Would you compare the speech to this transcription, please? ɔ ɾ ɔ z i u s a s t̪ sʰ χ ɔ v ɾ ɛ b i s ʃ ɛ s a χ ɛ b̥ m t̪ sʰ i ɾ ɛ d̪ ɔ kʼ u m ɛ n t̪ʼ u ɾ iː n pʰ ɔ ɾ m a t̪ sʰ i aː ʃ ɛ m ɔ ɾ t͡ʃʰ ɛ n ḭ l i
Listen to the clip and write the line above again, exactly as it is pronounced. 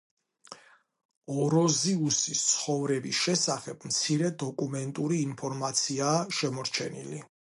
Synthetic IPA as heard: ɔ ɾ ɔ z i u s i s t̪ sʰ χ ɔ v ɾ ɛ b i s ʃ ɛ s a χ ɛ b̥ m t̪ sʰ i ɾ ɛ d̪ ɔ kʼ u m ɛ n t̪ʼ u ɾ iː n pʰ ɔ ɾ m a t̪ sʰ i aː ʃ ɛ m ɔ ɾ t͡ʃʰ ɛ n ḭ l i